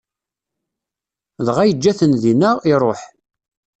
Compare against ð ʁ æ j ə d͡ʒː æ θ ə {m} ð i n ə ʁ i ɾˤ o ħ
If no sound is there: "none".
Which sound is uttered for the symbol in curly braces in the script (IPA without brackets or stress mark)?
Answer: n